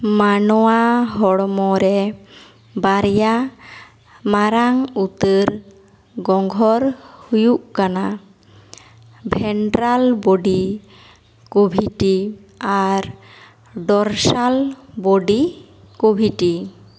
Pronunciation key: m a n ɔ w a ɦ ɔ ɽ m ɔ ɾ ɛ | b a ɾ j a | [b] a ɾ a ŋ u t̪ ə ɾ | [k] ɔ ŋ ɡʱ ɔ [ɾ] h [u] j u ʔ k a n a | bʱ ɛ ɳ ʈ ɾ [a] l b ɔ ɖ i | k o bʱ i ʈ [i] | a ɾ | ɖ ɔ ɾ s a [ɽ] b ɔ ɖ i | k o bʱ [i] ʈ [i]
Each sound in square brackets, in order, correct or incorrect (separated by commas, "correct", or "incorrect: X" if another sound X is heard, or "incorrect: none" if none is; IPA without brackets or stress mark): incorrect: m, incorrect: ɡ, correct, correct, correct, correct, incorrect: l, correct, correct